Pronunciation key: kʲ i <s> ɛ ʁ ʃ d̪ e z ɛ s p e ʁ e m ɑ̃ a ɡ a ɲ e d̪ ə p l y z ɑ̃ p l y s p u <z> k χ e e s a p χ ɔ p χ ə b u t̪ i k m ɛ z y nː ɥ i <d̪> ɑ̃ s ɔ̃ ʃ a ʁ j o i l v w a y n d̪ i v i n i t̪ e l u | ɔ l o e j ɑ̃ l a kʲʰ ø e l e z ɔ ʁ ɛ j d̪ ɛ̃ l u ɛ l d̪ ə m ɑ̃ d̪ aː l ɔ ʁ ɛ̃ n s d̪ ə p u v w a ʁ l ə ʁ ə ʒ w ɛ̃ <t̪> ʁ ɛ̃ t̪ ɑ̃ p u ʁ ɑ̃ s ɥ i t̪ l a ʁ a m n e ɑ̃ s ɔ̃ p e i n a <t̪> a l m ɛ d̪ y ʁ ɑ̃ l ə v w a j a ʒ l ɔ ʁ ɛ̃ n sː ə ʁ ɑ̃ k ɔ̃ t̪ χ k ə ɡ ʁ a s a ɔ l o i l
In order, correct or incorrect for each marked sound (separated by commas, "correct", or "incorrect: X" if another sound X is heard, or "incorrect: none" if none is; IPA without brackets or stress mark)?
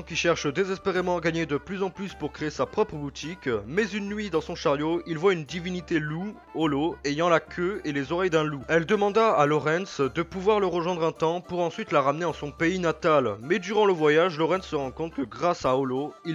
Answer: incorrect: ʃ, incorrect: ʁ, correct, incorrect: d̪, correct